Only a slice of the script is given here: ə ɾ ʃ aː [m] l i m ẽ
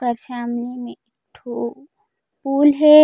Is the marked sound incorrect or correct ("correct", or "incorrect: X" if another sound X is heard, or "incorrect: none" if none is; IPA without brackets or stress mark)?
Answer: correct